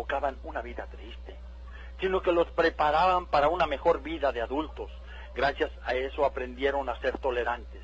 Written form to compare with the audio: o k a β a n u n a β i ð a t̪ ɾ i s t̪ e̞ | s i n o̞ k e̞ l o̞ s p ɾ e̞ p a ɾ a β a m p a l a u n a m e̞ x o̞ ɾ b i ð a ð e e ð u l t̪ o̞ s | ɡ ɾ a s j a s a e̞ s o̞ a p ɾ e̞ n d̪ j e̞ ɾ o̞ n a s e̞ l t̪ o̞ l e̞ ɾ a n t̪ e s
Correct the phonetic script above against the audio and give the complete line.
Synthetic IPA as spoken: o k a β a n u n a β i ð a t̪ ɾ i s t̪ e̞ | s i n o̞ k e̞ l o̞ s p ɾ e̞ p a ɾ a β a m p a ɾ a u n a m e̞ x o̞ ɾ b i ð a ð e a ð u l t̪ o̞ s | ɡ ɾ a s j a s a e̞ s o̞ a p ɾ e̞ n d̪ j e̞ ɾ o̞ n a s e̞ ɾ t̪ o̞ l e̞ ɾ a n t̪ e s